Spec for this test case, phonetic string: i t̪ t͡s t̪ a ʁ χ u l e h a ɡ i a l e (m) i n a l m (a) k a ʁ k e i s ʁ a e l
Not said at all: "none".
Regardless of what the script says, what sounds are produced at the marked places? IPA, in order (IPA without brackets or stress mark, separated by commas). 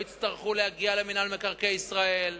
m, e